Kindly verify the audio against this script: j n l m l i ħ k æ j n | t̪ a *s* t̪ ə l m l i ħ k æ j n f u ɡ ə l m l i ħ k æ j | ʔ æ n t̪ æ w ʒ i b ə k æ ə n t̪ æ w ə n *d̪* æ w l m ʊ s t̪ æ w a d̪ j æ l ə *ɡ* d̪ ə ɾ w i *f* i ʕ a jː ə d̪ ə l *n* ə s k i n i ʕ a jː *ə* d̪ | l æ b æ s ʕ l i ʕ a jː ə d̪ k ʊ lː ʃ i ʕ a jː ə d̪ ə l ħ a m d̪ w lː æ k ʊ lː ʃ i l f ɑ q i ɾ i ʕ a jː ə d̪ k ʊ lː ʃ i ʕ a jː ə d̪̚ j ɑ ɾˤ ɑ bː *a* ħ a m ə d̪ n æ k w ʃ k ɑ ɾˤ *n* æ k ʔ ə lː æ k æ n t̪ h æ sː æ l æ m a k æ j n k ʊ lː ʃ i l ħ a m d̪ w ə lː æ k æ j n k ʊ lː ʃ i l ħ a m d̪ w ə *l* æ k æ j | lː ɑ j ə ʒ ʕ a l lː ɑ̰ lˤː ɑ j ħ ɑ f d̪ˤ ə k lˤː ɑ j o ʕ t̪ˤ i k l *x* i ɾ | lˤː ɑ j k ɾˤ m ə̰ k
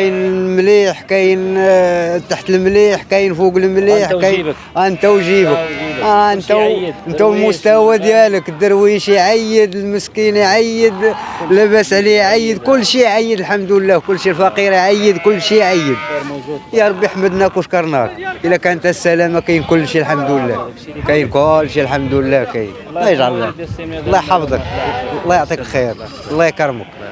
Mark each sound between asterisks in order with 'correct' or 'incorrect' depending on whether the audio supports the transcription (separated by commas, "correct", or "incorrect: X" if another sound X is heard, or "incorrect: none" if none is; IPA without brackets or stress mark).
incorrect: ħ, incorrect: t̪, incorrect: k, incorrect: ʃ, incorrect: m, correct, incorrect: i, correct, incorrect: lː, correct